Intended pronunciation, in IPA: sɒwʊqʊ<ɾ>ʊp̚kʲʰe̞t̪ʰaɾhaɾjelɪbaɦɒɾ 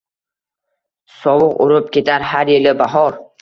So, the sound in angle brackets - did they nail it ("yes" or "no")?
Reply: yes